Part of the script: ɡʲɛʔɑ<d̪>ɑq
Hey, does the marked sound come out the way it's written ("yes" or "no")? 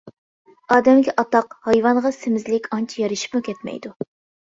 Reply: no